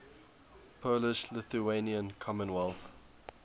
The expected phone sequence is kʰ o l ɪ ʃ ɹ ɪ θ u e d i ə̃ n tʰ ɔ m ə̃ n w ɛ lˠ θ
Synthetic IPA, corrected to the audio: pʰ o l ɪ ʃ l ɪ θ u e n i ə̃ n kʰ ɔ m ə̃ n w ɛ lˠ θ